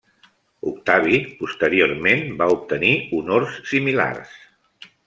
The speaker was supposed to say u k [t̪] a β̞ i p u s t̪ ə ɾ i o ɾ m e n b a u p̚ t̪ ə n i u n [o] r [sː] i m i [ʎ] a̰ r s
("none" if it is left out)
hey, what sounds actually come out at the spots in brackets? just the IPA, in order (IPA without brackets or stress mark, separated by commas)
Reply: t̪, o, sː, l